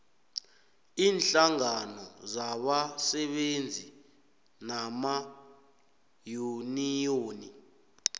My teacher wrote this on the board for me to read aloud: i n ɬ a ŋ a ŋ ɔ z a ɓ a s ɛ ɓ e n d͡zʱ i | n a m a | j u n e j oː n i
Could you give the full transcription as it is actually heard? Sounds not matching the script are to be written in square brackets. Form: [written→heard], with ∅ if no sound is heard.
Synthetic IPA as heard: [i→iː] n ɬ a ŋ a [ŋ→n] ɔ z a ɓ a s ɛ ɓ e n d͡zʱ i | n a m a | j u n [e→i] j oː n i